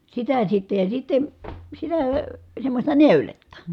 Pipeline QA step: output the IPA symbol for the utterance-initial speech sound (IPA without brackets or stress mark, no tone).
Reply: s